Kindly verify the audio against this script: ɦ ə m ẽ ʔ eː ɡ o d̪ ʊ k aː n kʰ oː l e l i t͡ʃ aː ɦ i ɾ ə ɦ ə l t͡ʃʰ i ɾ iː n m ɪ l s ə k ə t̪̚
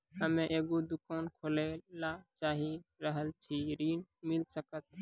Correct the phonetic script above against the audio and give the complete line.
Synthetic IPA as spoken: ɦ ə m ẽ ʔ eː ɡ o d̪ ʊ k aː n kʰ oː l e l a t͡ʃ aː ɦ i ɾ ə ɦ ə l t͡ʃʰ i ɾ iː n m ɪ l s ə k ə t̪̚